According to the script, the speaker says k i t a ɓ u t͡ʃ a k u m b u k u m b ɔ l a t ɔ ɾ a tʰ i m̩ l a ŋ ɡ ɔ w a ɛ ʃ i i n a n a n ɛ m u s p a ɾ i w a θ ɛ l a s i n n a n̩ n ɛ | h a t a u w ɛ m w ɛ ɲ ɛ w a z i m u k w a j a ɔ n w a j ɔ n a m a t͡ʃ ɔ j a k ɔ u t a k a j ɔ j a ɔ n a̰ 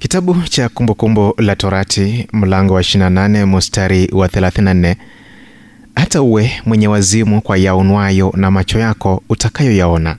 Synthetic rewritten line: k i t a ɓ u t͡ʃ a k u m b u k u m b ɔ l a t ɔ ɾ a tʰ i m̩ l a ŋ ɡ ɔ w a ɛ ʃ i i n a n a n ɛ m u s t a ɾ i w a θ ɛ l a θ i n n a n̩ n ɛ | h a t a u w ɛ m w ɛ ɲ ɛ w a z i m u k w a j a ɔ n w a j ɔ n a m a t͡ʃ ɔ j a k ɔ u t a k a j ɔ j a ɔ n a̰